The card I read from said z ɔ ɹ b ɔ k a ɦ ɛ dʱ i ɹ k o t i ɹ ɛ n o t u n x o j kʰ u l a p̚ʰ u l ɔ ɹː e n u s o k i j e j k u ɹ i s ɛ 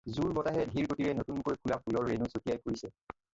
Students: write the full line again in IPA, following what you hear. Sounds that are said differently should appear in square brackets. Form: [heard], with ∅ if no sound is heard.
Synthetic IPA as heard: z [u] ɹ b ɔ [t] a ɦ ɛ dʱ i ɹ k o t i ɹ ɛ n o t u n [k] o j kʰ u l a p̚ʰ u l ɔ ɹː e n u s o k i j [a] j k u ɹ i s ɛ